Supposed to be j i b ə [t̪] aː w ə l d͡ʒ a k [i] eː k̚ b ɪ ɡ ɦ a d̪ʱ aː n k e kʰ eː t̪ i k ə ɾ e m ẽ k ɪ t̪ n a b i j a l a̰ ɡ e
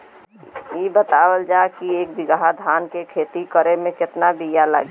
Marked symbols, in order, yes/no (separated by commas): yes, yes